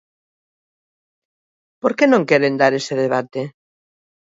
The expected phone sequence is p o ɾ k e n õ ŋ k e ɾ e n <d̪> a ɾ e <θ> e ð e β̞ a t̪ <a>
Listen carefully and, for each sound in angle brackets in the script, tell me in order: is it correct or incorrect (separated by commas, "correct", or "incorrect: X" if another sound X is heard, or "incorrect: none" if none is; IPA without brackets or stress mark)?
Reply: correct, incorrect: s, incorrect: e